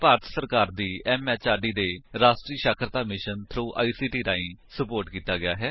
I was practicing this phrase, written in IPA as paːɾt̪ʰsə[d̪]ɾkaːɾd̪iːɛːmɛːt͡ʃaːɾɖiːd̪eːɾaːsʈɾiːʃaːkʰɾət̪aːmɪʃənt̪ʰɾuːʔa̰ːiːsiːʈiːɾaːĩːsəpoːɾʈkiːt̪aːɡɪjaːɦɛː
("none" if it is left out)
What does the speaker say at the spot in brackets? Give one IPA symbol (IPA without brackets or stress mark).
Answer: none